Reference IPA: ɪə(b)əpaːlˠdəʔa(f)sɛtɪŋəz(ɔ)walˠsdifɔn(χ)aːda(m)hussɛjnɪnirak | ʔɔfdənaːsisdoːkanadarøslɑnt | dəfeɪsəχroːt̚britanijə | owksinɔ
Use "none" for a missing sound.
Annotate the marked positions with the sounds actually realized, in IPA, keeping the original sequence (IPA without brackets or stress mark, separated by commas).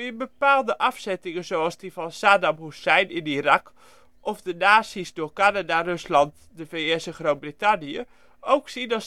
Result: b, f, o, s, m